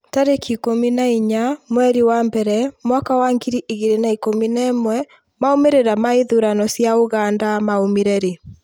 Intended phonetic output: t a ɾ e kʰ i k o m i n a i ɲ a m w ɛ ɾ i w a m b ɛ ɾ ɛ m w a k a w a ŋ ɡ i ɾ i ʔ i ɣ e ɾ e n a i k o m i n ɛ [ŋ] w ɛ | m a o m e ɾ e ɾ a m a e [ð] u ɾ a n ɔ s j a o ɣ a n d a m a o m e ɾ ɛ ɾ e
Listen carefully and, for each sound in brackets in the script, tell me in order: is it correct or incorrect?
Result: incorrect: m, correct

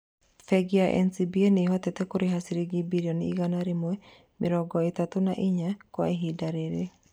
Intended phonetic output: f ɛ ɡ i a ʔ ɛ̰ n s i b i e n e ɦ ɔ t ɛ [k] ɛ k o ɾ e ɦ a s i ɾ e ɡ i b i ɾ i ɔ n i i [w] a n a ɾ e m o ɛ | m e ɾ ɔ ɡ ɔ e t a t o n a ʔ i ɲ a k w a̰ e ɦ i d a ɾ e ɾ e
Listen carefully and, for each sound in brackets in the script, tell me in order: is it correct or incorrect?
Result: incorrect: t, incorrect: ɣ

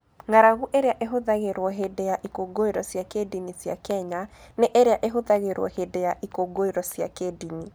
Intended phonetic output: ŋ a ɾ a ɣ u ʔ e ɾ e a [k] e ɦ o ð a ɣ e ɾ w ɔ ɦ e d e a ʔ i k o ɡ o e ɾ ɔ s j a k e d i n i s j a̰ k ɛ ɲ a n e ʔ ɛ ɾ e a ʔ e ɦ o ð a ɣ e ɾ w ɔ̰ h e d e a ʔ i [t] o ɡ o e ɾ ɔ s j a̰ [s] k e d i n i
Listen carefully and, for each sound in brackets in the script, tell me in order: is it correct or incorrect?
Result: incorrect: ʔ, incorrect: k, incorrect: none

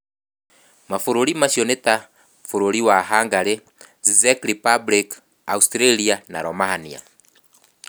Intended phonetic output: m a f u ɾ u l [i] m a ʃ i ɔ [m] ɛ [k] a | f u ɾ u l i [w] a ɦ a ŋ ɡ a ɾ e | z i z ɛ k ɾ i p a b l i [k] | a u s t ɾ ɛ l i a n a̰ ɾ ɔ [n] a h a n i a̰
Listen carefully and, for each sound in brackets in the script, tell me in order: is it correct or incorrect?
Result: correct, incorrect: n, incorrect: t, correct, correct, incorrect: m

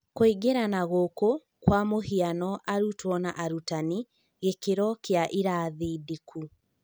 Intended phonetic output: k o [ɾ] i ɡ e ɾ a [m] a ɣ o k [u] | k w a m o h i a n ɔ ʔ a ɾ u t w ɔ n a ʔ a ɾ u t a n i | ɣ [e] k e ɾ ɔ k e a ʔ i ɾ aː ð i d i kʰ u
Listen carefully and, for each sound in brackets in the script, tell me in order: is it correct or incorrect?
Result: incorrect: none, incorrect: n, incorrect: o, correct

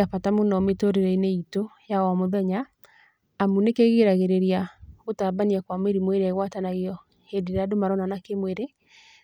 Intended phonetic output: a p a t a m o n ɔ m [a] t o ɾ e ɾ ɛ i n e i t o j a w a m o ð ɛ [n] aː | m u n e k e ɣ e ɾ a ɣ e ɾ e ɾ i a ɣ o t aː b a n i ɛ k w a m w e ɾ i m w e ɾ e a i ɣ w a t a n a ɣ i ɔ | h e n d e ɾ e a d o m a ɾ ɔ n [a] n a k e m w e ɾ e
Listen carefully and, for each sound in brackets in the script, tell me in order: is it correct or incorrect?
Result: incorrect: e, incorrect: ɲ, correct

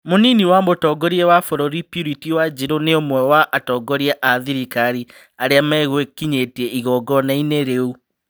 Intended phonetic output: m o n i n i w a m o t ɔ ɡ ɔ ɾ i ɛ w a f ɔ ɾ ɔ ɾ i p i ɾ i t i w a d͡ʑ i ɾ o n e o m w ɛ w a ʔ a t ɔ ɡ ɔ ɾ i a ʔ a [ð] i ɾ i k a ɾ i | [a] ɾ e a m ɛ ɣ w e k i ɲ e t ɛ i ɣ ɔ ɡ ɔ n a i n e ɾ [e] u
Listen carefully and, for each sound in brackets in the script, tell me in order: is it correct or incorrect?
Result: correct, correct, correct

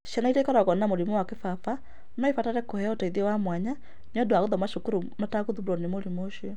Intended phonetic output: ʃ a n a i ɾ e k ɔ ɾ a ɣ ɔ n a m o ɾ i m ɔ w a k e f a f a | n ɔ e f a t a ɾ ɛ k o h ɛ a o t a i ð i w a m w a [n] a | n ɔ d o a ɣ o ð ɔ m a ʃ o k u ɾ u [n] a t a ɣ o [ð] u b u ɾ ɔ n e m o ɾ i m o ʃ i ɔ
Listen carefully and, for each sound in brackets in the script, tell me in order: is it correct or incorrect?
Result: incorrect: ɲ, incorrect: m, correct

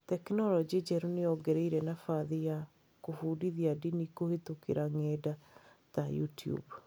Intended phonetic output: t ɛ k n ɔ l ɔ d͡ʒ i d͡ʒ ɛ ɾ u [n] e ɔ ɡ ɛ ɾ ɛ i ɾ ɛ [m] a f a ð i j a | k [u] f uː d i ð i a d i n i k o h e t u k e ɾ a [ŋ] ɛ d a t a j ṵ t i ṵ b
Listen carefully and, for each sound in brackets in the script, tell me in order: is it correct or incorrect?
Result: correct, incorrect: n, incorrect: o, correct

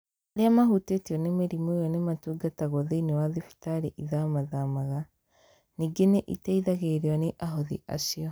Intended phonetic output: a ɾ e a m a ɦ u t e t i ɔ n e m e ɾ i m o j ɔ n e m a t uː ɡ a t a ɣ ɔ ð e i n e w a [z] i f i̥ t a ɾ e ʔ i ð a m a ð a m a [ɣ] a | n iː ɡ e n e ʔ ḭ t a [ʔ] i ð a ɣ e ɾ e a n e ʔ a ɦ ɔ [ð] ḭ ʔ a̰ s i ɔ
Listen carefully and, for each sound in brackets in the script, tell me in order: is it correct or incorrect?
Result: incorrect: ð, correct, incorrect: none, correct

